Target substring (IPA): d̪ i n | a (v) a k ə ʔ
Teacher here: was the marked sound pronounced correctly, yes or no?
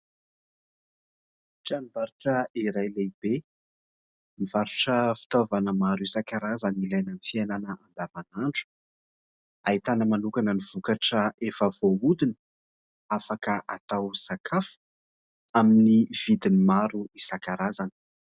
no